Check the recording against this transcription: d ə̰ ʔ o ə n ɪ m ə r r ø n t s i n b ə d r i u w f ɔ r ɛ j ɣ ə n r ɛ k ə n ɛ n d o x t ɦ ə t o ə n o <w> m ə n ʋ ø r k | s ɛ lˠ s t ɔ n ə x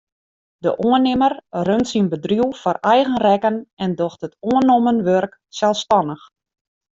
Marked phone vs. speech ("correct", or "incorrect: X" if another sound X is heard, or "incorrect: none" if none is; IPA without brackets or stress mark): incorrect: none